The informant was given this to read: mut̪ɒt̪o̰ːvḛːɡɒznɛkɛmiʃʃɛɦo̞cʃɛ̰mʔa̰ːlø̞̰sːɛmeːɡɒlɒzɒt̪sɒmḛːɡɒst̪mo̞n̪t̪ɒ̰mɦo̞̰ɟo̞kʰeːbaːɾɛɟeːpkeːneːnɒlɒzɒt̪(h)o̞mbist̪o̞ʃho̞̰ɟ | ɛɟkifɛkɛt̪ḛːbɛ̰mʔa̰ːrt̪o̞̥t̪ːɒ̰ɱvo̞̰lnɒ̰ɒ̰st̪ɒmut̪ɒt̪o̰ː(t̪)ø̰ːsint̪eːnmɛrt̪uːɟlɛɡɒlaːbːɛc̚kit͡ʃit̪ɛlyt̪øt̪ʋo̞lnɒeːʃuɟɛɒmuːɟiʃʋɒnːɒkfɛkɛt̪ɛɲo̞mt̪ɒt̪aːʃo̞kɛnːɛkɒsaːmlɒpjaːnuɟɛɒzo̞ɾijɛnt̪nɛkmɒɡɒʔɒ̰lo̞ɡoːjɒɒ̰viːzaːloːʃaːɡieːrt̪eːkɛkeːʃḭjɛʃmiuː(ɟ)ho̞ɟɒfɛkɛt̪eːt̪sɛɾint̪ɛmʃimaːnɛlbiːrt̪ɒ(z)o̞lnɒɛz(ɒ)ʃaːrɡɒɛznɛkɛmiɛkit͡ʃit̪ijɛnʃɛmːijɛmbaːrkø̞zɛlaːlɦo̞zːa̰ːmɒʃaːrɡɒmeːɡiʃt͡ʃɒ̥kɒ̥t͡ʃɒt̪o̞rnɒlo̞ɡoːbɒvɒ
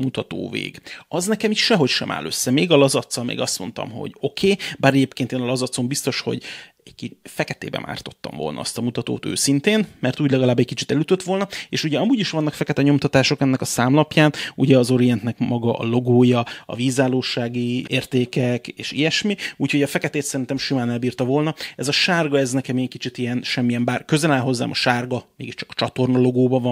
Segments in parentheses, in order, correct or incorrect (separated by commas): incorrect, correct, incorrect, incorrect, correct